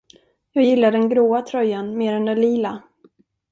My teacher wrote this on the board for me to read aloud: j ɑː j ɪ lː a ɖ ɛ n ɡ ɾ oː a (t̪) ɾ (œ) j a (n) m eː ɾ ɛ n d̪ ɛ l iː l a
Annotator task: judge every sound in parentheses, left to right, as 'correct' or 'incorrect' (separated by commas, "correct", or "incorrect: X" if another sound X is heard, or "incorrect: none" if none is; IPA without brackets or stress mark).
incorrect: t̪ʰ, correct, correct